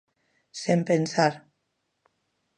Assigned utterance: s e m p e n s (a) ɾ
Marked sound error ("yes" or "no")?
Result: no